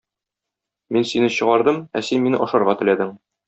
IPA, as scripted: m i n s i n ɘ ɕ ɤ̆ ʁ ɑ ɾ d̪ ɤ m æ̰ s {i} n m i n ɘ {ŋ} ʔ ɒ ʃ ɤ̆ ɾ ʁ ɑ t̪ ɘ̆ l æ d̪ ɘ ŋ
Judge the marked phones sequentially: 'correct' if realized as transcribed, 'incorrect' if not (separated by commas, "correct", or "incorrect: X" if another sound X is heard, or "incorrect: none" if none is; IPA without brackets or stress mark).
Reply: correct, incorrect: none